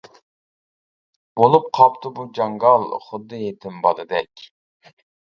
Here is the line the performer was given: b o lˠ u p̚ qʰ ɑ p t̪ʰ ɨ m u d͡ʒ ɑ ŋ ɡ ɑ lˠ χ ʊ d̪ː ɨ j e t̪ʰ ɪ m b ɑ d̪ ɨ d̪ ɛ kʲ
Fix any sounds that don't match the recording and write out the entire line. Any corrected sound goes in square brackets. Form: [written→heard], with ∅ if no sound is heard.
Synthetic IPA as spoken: b o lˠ u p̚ qʰ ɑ p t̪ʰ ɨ [m→b] u d͡ʒ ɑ ŋ ɡ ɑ lˠ χ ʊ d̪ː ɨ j e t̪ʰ ɪ m b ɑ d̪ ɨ d̪ ɛ kʲ

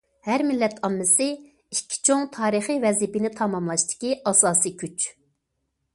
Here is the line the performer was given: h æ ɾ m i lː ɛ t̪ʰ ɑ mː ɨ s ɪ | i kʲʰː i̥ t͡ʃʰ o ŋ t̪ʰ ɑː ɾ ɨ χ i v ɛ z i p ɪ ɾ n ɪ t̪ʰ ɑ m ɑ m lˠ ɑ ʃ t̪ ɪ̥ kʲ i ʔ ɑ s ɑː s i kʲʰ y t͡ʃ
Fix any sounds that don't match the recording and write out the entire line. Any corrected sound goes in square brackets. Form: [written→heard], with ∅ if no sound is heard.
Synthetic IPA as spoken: h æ ɾ m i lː ɛ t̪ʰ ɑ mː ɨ s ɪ | i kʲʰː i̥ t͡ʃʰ o ŋ t̪ʰ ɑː ɾ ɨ χ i v ɛ z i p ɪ [ɾ→∅] n ɪ t̪ʰ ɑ m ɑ m lˠ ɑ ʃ t̪ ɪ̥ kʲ i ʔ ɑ s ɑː s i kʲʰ y t͡ʃ

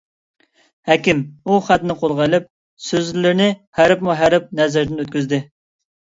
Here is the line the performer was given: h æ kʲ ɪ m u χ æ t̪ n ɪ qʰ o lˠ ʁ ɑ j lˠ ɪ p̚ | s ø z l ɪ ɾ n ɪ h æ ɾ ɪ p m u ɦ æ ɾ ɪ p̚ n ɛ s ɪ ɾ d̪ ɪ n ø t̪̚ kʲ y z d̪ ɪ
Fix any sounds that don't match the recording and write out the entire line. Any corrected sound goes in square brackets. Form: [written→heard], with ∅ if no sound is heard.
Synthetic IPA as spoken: h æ kʲ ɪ m u χ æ t̪ n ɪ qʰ o lˠ ʁ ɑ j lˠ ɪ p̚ | s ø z l ɪ ɾ n ɪ h æ ɾ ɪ p m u ɦ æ ɾ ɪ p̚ n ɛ [s→z] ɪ ɾ d̪ ɪ n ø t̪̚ kʲ y z d̪ ɪ

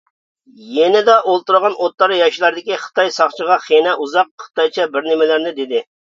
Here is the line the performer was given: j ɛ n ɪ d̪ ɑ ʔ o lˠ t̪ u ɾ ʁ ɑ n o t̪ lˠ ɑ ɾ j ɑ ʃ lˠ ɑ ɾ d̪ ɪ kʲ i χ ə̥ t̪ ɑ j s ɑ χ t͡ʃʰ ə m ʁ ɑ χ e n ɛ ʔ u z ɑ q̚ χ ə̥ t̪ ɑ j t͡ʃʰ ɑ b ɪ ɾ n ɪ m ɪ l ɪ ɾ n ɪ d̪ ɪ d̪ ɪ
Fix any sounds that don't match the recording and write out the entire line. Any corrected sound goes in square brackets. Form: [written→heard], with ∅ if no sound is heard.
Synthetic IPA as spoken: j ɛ n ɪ d̪ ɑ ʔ o lˠ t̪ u ɾ ʁ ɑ n o t̪ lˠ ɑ ɾ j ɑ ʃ lˠ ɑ ɾ d̪ ɪ kʲ i χ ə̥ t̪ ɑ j s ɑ χ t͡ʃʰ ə [m→∅] ʁ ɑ χ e n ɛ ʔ u z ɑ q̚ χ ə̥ t̪ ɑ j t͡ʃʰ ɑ b ɪ ɾ n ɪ m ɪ l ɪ ɾ n ɪ d̪ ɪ d̪ ɪ

